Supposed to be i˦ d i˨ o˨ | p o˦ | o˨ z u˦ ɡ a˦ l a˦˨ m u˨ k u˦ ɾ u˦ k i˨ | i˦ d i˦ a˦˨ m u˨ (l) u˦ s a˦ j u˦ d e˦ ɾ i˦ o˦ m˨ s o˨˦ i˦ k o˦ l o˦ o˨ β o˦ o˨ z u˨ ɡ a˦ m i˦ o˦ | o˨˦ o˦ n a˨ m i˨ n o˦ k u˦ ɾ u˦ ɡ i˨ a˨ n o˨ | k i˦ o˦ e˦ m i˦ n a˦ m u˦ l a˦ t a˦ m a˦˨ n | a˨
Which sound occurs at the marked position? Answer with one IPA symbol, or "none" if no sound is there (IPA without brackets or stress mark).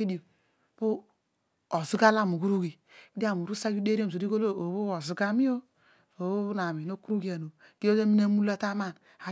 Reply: ɾ